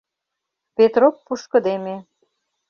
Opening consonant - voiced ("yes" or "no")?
no